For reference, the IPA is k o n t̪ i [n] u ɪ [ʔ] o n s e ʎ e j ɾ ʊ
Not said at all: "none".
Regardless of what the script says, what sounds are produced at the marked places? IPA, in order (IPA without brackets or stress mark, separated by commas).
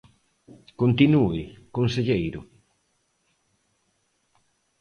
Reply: n, k